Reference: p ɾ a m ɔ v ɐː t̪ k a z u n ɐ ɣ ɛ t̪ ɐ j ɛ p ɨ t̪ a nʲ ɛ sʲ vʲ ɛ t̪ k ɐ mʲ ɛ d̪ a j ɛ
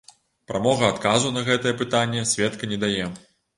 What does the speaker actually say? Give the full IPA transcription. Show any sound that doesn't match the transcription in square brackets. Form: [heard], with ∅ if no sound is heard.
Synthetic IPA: p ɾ a m ɔ [ɣ] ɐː t̪ k a z u n ɐ ɣ ɛ t̪ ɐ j ɛ p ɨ t̪ a [nʲː] ɛ sʲ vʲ ɛ t̪ k ɐ [nʲ] ɛ d̪ a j ɛ